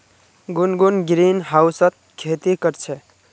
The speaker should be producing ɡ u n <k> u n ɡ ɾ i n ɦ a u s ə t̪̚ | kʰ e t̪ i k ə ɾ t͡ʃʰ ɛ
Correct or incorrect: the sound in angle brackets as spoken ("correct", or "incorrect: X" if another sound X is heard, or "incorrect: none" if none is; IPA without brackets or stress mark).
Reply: incorrect: ɡ